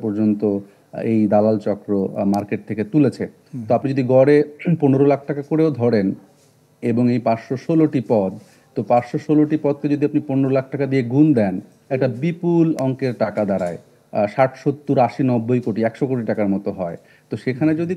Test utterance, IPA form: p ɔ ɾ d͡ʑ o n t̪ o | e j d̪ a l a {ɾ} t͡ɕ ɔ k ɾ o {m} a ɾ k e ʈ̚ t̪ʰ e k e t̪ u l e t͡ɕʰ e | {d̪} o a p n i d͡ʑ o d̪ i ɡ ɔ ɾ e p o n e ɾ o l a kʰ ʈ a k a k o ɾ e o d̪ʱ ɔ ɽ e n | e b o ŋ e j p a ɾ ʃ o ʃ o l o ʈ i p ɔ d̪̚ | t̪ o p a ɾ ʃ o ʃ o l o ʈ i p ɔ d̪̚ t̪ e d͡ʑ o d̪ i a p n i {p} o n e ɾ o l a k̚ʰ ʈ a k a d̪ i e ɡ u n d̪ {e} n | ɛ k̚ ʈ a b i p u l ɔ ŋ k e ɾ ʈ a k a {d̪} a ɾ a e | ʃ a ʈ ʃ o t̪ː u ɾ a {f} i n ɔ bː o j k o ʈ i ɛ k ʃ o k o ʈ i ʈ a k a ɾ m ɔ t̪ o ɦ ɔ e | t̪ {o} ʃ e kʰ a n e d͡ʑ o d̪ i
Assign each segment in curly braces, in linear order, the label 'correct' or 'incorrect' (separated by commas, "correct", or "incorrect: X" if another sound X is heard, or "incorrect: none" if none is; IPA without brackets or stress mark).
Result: incorrect: l, correct, incorrect: t̪, correct, incorrect: ɛ, correct, incorrect: ʃ, correct